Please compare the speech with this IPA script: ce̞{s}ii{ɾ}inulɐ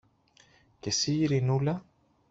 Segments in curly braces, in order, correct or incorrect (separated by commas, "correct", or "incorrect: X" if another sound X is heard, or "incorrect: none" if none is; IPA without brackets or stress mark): correct, correct